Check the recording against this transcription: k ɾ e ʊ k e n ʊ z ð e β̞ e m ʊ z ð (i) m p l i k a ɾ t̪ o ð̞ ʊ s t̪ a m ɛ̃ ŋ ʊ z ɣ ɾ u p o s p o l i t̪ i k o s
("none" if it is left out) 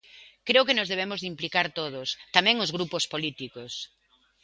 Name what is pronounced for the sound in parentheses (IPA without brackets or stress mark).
i